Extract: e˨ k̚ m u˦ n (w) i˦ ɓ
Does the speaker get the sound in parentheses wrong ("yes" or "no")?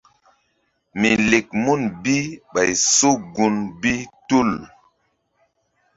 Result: yes